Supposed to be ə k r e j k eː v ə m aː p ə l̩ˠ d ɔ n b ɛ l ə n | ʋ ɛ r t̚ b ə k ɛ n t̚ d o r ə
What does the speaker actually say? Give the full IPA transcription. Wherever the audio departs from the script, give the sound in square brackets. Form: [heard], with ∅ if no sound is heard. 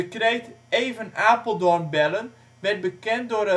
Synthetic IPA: ə k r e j [t] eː v ə [n] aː p ə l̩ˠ d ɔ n b ɛ l ə n | ʋ ɛ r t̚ b ə k ɛ n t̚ d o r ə